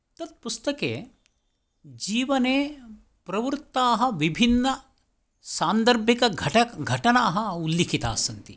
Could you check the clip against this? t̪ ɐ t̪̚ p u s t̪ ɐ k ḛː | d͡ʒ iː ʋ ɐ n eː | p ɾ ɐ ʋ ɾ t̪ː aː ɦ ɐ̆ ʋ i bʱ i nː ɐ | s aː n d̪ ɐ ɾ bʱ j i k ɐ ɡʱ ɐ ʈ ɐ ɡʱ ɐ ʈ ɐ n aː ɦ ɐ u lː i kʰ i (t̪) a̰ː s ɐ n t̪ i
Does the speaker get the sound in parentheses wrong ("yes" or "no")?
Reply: no